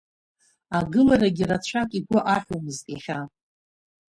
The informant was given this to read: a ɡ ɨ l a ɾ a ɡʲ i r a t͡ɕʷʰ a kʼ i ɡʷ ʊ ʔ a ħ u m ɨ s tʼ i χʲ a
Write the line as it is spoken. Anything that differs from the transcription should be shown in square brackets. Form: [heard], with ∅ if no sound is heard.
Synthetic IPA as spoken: a ɡ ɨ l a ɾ a ɡʲ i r a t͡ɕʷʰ a kʼ i ɡʷ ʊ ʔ a ħ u m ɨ [z] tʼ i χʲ a